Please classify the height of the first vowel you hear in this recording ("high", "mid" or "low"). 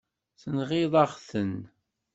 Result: mid